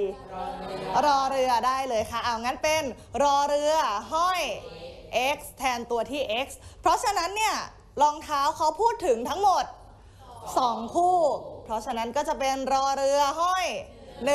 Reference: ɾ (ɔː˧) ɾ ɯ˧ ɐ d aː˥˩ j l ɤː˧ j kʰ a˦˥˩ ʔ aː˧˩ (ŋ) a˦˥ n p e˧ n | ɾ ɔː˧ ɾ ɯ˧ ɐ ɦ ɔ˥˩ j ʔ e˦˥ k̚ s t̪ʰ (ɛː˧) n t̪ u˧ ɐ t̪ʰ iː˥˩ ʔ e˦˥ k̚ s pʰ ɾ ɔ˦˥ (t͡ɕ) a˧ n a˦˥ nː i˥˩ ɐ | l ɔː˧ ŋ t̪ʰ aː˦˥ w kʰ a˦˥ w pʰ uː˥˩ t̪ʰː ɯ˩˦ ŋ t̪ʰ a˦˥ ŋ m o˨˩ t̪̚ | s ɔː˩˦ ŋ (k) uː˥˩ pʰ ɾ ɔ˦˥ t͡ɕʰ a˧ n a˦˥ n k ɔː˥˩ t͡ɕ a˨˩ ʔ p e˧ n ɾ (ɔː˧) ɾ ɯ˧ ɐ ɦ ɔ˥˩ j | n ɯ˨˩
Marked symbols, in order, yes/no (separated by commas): yes, yes, yes, no, no, yes